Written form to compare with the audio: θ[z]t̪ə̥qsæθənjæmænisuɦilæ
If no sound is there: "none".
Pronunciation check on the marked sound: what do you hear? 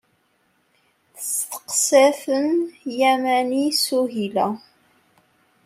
s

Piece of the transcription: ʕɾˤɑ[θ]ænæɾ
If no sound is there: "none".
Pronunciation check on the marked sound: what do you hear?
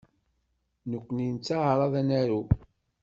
ð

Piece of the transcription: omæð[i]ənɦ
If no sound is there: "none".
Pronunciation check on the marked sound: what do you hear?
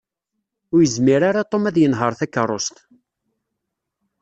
j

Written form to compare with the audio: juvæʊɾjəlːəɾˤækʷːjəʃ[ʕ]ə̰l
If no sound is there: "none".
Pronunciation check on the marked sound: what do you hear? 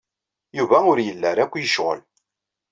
ʁ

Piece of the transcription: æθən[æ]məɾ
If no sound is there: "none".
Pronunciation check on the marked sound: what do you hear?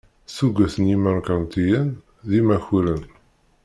i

